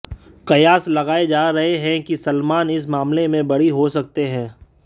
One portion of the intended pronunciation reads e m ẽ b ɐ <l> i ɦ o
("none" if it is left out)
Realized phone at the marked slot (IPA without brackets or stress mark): ɽ